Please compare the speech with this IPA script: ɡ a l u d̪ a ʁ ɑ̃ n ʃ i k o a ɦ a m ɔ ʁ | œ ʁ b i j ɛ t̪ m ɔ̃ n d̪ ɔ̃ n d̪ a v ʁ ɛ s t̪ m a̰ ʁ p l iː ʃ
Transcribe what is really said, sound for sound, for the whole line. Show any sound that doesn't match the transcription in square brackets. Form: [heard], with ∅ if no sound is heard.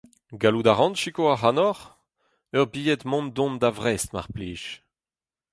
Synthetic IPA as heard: ɡ a l u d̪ a ʁ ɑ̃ n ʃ i k o a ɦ a [n] ɔ ʁ | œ ʁ b i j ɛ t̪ m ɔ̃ n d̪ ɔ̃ n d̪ a v ʁ ɛ s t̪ m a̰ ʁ p l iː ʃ